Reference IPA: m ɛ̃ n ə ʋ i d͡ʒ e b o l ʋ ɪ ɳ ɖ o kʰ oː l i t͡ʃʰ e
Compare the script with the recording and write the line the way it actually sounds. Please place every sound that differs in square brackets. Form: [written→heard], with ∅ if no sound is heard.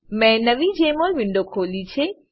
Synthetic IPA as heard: m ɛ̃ n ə ʋ i d͡ʒ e [b→m] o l ʋ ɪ ɳ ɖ o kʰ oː l i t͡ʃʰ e